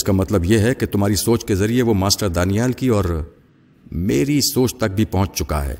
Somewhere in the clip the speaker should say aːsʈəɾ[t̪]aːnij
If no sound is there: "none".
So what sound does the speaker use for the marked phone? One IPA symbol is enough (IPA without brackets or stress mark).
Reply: d̪